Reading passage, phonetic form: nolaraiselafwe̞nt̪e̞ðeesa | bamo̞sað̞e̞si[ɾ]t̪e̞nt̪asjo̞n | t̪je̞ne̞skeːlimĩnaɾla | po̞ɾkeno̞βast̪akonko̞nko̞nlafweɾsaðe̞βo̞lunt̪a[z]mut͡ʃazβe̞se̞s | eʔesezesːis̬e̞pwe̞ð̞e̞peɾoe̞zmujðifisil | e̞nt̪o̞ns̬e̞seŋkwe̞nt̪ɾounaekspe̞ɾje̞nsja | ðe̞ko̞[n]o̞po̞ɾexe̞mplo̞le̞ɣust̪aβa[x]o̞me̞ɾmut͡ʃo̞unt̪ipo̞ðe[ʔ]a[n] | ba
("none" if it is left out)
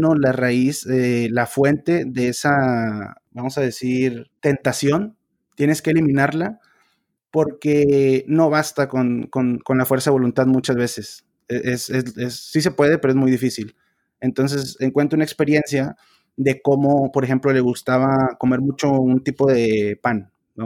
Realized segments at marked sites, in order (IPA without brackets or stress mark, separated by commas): ɾ, ð, m, k, p, n